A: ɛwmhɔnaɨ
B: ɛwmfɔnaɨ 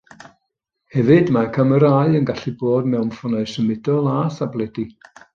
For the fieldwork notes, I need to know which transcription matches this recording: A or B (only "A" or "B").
B